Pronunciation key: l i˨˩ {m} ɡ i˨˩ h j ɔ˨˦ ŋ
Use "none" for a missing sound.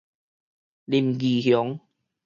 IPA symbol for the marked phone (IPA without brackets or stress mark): m